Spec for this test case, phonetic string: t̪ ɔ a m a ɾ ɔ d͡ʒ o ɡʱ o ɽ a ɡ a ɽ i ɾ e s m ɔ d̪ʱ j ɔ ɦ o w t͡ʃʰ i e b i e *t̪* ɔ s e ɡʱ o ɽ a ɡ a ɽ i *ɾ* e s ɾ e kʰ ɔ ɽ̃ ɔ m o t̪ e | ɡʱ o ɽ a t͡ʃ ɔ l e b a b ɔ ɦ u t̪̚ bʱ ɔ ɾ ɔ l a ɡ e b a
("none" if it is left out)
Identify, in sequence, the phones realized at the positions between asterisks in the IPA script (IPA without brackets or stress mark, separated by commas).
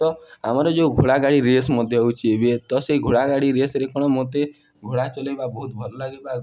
t̪, ɾ